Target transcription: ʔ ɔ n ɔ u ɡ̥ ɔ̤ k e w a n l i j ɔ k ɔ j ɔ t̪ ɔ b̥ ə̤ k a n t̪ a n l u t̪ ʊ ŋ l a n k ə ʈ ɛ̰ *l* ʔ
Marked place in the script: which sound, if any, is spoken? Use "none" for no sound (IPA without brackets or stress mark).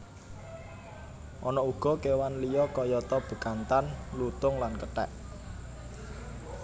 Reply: none